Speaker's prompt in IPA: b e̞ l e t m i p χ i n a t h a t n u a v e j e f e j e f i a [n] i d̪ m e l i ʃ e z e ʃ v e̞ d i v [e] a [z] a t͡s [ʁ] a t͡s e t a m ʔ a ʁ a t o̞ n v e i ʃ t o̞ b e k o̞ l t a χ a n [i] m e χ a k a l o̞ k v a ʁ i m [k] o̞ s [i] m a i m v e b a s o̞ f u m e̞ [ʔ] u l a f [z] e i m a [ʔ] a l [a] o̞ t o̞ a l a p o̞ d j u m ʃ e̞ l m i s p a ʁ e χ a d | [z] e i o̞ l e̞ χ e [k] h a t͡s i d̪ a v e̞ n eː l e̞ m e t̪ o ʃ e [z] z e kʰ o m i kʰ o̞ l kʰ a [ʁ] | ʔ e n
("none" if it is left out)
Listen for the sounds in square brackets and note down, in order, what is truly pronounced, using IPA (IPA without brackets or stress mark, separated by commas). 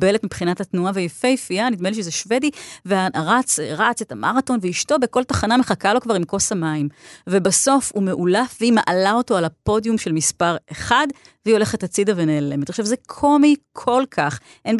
n, e, ʁ, ʁ, a, k, a, ʔ, v, ʔ, a, v, t, v, χ